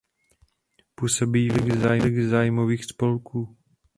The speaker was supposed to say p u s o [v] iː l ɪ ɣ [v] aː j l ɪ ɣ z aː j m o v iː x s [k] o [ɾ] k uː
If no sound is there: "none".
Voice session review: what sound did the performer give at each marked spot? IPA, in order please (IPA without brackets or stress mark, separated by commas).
b, z, p, l